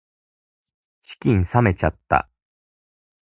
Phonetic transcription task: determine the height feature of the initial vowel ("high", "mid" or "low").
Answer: high